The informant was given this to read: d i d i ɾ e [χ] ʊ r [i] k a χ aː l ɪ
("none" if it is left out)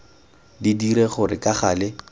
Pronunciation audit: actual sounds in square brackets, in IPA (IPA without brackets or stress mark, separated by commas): χ, ɪ